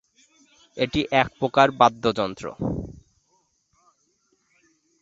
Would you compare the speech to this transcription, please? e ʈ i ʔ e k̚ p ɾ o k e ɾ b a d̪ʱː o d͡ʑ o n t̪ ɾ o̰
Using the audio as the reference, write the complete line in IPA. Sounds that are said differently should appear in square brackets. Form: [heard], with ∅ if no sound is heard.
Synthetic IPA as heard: e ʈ i ʔ [ɛ] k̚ p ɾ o k [a] ɾ b a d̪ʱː o d͡ʑ [ɔ] n t̪ ɾ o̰